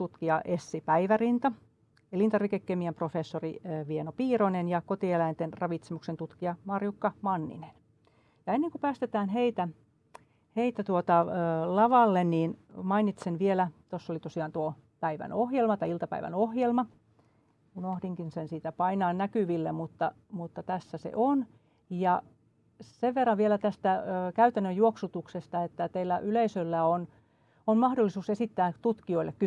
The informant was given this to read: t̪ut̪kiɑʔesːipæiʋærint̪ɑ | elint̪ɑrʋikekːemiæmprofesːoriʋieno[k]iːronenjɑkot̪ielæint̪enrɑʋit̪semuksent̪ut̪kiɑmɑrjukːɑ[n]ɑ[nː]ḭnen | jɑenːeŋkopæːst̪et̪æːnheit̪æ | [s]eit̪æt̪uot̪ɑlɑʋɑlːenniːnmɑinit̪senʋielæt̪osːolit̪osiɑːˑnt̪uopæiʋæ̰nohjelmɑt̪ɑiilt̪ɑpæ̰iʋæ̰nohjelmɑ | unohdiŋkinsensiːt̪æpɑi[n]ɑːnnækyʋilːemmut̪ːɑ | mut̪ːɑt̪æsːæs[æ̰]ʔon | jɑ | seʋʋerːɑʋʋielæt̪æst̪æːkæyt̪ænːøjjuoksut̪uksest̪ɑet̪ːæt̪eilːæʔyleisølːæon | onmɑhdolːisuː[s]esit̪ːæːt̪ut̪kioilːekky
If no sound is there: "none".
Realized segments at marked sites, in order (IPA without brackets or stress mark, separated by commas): p, m, nː, h, n, ḛ, s